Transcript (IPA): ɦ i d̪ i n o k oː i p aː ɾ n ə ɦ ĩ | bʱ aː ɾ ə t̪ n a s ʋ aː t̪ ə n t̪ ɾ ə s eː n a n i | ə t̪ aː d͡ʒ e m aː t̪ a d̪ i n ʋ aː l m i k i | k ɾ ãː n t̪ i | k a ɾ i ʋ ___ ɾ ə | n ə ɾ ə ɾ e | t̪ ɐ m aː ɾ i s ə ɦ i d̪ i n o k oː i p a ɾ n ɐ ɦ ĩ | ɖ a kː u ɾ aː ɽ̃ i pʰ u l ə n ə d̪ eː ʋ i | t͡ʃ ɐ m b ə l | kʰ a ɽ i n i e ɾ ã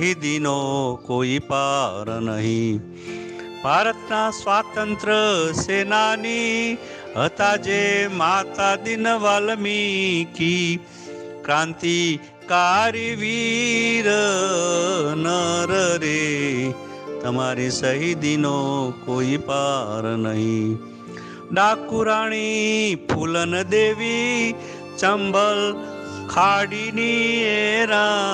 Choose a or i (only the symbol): i